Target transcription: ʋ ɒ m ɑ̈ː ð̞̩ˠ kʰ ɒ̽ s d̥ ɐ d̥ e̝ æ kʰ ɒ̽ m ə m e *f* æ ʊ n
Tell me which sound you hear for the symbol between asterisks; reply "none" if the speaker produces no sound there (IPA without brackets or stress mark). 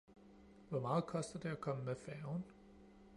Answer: f